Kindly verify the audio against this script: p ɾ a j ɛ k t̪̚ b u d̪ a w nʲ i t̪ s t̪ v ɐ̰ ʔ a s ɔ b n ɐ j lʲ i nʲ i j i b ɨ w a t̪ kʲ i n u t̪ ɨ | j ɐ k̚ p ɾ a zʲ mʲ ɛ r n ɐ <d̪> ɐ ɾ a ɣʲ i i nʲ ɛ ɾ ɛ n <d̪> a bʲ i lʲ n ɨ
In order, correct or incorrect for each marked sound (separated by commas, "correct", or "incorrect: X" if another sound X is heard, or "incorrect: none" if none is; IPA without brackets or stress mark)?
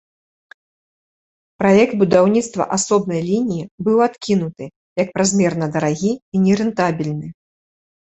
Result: correct, incorrect: t̪